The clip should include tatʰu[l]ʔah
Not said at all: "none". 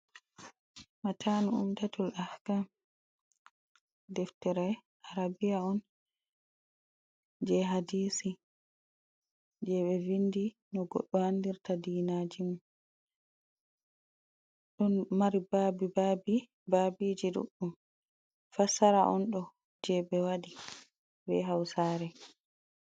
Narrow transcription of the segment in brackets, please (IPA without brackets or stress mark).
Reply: l